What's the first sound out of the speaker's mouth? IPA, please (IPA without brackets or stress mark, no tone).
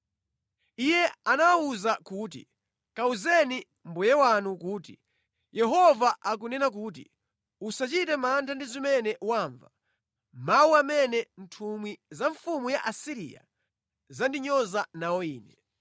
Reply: i